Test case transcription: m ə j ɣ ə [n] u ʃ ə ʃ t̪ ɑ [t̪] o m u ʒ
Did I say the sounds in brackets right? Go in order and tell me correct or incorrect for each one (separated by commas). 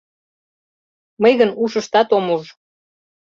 correct, correct